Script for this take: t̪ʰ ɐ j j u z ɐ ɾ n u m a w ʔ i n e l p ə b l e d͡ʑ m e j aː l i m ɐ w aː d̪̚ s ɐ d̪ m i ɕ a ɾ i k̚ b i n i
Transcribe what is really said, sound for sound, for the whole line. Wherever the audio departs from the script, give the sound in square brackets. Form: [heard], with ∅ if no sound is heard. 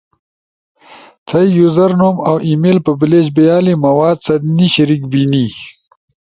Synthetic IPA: t̪ʰ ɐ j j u z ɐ ɾ n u m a w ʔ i [m] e l p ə b l e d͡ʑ [b] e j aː l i m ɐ w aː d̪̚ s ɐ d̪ [n] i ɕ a ɾ i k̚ b i n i